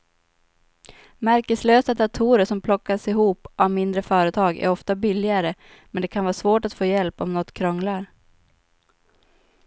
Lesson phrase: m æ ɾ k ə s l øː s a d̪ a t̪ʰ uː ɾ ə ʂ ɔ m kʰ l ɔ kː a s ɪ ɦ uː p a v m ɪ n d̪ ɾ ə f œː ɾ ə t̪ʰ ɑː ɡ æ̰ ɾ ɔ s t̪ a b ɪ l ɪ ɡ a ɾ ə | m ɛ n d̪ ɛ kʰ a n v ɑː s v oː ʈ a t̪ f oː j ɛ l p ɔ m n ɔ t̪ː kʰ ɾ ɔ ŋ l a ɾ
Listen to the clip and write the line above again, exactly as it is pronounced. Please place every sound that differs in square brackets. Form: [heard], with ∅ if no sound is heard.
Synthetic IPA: m æ ɾ k ə s l øː s a d̪ a t̪ʰ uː ɾ ə ʂ ɔ m [pʰ] l ɔ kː a s ɪ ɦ uː p a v m ɪ n d̪ ɾ ə f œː ɾ ə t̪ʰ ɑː ɡ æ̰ ɾ ɔ [f] t̪ a b ɪ l ɪ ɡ a ɾ ə | m ɛ n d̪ ɛ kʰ a n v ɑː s v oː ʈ a t̪ f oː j ɛ l p ɔ m n ɔ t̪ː kʰ ɾ ɔ ŋ l a ɾ